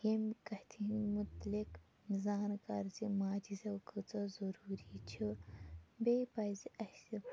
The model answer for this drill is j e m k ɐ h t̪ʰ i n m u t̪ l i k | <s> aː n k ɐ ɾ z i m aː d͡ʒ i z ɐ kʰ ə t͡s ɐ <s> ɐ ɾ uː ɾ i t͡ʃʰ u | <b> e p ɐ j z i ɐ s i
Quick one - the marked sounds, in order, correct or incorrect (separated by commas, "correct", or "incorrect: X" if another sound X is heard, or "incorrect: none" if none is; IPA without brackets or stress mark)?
incorrect: z, incorrect: z, correct